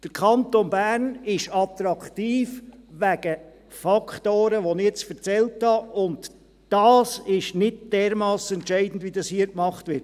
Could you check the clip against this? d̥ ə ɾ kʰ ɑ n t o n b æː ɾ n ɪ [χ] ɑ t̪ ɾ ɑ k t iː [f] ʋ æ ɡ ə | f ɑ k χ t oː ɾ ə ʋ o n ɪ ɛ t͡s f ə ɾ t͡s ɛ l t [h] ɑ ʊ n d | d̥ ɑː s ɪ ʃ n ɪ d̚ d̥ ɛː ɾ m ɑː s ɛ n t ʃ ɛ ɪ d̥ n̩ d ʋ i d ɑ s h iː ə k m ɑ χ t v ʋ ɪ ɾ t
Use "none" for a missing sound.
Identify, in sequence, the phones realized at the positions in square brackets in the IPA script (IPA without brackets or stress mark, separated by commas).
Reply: ʃ, f, h